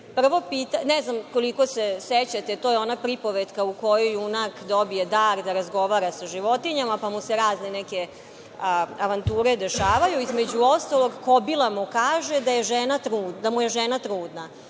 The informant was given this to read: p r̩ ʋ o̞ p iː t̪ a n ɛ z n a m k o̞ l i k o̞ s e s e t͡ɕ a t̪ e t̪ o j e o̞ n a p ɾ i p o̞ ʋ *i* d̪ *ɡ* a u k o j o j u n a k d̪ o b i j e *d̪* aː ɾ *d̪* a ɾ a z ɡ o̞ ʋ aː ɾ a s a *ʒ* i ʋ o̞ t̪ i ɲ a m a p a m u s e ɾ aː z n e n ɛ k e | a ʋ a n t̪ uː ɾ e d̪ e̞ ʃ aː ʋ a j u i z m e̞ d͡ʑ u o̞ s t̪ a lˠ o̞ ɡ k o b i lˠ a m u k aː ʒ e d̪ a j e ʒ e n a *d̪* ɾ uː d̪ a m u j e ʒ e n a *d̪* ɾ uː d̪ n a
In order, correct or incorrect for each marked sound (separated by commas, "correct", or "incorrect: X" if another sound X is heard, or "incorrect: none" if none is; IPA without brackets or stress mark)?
incorrect: e, incorrect: k, correct, correct, correct, incorrect: t̪, incorrect: t̪